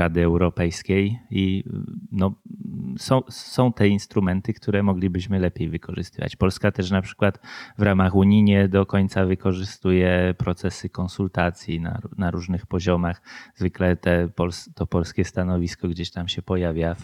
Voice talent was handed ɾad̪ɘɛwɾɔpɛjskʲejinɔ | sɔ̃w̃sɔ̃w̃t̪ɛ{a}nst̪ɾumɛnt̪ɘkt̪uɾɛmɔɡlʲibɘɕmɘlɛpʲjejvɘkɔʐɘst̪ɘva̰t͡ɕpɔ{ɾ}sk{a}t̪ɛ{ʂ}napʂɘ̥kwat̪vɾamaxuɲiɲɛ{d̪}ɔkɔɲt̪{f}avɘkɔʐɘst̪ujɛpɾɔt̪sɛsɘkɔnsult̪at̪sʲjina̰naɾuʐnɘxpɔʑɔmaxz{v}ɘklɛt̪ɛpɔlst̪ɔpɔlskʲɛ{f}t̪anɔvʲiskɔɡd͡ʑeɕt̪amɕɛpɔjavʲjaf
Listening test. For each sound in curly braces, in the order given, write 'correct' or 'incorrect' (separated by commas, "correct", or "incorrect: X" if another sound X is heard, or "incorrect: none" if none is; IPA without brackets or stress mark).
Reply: incorrect: i, incorrect: l, correct, correct, correct, incorrect: s, correct, incorrect: s